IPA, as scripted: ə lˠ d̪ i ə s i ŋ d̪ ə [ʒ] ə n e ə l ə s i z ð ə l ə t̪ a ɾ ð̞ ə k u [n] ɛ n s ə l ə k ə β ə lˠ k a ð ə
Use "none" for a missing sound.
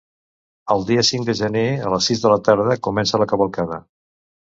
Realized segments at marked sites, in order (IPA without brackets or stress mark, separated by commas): ʒ, m